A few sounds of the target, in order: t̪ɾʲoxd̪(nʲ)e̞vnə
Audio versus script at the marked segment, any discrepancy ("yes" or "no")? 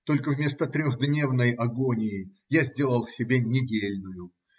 no